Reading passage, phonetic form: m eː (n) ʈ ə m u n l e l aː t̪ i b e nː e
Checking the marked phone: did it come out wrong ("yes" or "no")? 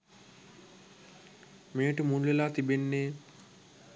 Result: yes